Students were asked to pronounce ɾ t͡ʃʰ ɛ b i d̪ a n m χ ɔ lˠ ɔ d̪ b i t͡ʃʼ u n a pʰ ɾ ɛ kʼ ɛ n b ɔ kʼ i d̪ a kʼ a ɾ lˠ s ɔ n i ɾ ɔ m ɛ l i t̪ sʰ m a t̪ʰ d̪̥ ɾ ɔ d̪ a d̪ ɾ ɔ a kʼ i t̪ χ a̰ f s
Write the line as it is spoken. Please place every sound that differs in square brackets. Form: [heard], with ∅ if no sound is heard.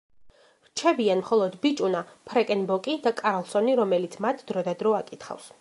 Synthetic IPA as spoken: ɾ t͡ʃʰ ɛ b i [∅] a n m χ ɔ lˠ ɔ d̪ b i t͡ʃʼ u n a pʰ ɾ ɛ kʼ ɛ n b ɔ kʼ i d̪ a kʼ a ɾ lˠ s ɔ n i ɾ ɔ m ɛ l i t̪ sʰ m a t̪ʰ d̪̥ ɾ ɔ d̪ a d̪ ɾ ɔ a kʼ i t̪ χ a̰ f s